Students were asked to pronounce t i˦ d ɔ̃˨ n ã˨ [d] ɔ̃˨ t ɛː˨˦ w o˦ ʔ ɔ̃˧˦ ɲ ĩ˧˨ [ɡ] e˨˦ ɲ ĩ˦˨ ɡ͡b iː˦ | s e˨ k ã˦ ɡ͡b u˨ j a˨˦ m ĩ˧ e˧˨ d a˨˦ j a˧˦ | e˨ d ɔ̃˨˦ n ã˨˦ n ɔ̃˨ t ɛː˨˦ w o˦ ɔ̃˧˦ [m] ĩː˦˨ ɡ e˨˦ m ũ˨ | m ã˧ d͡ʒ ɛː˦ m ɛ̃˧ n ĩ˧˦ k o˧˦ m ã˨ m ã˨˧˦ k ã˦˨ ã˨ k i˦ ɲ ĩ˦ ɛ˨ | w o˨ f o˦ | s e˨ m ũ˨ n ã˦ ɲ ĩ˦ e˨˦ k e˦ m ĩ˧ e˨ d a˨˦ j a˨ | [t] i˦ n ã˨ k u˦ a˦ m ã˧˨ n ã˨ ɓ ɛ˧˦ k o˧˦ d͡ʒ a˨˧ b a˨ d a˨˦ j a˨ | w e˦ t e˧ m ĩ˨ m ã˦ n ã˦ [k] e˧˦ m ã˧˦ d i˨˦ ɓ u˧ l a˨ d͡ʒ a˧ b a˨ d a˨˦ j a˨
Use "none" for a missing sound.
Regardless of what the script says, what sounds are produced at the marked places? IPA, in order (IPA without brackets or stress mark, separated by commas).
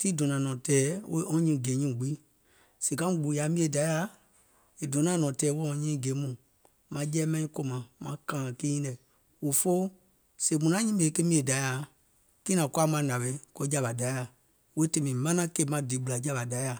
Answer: n, ɡ, ɲ, k, k